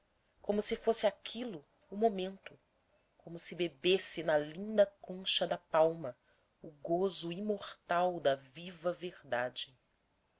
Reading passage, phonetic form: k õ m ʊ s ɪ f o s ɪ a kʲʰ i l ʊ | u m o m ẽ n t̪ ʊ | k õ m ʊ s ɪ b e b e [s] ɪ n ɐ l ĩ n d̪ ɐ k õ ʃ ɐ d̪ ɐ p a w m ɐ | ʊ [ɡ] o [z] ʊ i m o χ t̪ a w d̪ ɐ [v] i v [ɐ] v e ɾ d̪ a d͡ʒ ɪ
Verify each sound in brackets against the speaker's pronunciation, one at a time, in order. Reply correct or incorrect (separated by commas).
correct, correct, correct, correct, correct